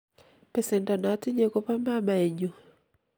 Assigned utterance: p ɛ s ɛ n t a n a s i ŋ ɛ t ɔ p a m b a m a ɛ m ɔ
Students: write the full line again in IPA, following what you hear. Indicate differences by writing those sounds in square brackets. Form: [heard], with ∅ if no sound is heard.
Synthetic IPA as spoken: p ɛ s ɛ n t a n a [t] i [ɲ] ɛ [k] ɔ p a m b a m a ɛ [ɲ] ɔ